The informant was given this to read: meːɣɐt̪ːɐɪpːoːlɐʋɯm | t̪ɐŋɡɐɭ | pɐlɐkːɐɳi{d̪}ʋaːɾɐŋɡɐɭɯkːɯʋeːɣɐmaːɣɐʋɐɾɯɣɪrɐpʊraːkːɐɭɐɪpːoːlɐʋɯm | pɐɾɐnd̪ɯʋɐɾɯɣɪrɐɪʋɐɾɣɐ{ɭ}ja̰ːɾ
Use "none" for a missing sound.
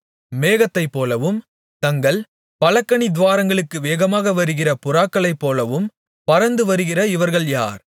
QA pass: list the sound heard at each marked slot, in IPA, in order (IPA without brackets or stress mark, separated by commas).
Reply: d̪, ɭ